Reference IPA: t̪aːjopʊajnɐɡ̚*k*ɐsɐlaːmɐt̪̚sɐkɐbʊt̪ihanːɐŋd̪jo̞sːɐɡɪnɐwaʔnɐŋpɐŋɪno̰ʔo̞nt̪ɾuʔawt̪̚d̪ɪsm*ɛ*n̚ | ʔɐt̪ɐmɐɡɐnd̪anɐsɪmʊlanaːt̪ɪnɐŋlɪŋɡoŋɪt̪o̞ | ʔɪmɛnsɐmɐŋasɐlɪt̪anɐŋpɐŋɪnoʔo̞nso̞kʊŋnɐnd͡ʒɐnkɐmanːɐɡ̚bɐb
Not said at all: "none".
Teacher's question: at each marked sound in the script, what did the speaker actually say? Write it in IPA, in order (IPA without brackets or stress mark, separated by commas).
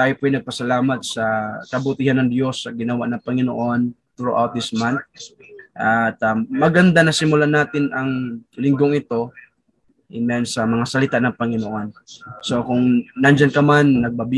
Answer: p, a